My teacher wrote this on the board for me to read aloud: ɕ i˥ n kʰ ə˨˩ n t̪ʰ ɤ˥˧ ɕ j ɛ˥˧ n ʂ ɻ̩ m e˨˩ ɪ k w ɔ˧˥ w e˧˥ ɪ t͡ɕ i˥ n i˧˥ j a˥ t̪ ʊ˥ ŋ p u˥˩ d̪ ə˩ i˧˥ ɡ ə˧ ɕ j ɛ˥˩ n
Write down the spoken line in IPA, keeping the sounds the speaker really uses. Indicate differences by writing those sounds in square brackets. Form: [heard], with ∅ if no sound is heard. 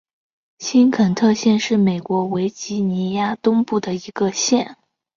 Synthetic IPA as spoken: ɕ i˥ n kʰ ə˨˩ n t̪ʰ ɤ˥˧ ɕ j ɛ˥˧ n ʂ ɻ̩ m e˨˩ ɪ k w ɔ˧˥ w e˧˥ ɪ t͡ɕ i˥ n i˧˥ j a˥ t̪ ʊ˥ ŋ p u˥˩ d̪ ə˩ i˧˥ ɡ ə˧ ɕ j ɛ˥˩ n